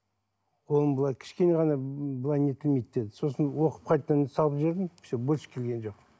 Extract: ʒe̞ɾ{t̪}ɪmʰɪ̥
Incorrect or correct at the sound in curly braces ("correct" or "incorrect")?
incorrect